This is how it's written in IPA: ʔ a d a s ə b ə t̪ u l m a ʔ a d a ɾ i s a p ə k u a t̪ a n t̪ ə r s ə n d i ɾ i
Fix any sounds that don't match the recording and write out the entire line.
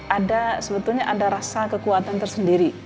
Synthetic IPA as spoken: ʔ a d a s ə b ə t̪ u l ɲ a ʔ a d a ɾ a s a k ə k u a t̪ a n t̪ ə r s ə n d i ɾ i